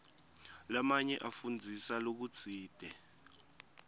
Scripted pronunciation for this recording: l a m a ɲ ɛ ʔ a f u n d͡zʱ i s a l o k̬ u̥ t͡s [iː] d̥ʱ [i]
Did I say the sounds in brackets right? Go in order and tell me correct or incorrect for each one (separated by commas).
correct, incorrect